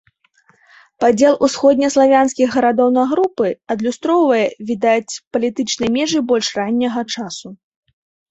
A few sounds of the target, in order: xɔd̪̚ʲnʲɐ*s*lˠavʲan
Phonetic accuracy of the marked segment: correct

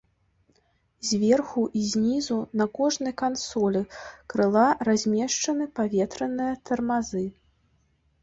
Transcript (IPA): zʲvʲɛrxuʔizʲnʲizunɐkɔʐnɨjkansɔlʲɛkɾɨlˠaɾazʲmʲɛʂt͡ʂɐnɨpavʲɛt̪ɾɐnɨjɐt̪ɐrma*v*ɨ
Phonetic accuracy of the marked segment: incorrect: z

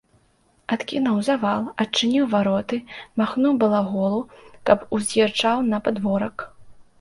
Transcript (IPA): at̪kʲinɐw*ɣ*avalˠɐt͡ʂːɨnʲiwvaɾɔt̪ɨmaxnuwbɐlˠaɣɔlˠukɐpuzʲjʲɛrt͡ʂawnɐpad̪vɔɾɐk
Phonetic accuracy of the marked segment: incorrect: z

